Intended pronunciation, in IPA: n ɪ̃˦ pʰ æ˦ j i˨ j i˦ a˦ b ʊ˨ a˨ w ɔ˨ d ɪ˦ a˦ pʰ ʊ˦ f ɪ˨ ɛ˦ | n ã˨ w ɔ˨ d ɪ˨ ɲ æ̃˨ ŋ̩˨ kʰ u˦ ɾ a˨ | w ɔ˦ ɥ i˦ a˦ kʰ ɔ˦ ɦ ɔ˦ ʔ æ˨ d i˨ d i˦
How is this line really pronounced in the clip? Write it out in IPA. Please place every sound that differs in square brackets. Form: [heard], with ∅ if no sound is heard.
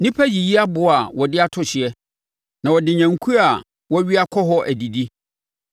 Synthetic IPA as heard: n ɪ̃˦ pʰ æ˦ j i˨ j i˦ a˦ b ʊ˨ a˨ w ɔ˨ d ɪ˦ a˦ [tʰ] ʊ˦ [ɕ] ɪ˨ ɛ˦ | n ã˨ w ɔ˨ d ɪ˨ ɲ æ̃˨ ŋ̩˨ kʰ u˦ ɾ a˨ | w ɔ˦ ɥ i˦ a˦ kʰ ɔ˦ ɦ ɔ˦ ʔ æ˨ d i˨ d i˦